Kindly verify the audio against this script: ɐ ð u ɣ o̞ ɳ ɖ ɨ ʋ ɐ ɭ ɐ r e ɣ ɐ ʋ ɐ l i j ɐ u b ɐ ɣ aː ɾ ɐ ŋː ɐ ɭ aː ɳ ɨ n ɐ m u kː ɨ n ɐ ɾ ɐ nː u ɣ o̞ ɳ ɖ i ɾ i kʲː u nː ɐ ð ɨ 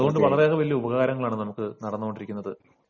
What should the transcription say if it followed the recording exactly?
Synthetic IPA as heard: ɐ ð u ɣ o̞ ɳ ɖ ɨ ʋ ɐ ɭ ɐ r e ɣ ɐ ʋ ɐ l i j ɐ u b ɐ ɣ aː ɾ ɐ ŋː ɐ ɭ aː ɳ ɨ n ɐ m u kː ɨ n ɐ ɽ ɐ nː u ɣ o̞ ɳ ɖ i ɾ i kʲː u nː ɐ ð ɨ